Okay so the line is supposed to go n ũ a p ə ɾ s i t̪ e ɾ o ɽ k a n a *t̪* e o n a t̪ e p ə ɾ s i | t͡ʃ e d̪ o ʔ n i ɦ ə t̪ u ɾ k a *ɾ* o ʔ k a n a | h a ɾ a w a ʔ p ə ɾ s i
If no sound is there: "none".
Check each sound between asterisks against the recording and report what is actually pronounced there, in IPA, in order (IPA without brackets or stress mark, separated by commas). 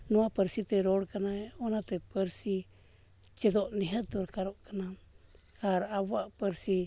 none, ɾ